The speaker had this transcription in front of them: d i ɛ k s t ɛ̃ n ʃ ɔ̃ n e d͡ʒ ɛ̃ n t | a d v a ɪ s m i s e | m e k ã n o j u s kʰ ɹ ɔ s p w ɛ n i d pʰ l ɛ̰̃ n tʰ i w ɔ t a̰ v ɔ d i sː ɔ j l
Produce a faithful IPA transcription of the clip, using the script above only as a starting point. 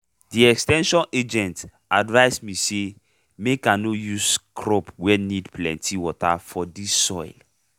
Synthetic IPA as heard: d i ɛ k s t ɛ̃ n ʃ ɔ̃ n e d͡ʒ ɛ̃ n t | a d v a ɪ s m i s e | m e k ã n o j u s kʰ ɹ ɔ p w ɛ n i d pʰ l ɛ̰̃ n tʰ i w ɔ t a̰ f ɔ d i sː ɔ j l